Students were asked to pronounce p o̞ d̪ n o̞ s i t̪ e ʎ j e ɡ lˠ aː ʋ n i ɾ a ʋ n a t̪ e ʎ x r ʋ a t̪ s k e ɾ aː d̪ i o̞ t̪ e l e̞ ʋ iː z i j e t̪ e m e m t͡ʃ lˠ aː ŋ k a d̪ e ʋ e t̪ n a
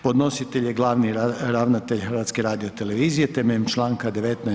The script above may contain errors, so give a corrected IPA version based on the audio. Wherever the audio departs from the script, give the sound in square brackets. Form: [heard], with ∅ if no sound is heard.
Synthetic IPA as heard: p o̞ d̪ n o̞ s i t̪ e ʎ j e ɡ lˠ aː ʋ n i ɾ a ʋ n a t̪ e ʎ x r ʋ a t̪ s k e ɾ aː d̪ i o̞ t̪ e l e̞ ʋ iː z i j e t̪ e m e m t͡ʃ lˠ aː ŋ k a d̪ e ʋ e t̪ n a